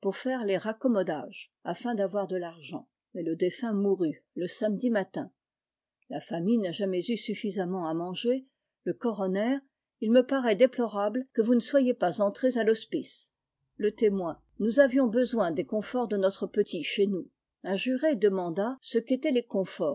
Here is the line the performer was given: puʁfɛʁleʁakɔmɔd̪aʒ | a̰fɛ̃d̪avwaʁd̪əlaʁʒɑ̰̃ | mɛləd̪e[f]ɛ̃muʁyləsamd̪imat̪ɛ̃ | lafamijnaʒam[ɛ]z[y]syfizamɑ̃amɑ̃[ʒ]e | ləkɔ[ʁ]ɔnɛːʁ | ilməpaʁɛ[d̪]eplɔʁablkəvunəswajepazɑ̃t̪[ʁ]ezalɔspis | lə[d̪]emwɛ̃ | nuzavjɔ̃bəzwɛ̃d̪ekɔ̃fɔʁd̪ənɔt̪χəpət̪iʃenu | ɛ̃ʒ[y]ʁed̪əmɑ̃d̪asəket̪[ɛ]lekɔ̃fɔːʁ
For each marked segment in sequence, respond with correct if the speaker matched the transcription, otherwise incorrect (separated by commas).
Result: correct, correct, correct, correct, correct, correct, incorrect, incorrect, correct, correct